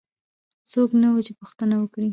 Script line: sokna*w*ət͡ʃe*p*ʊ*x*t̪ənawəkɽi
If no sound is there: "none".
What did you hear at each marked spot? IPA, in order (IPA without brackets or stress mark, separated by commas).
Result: w, p, x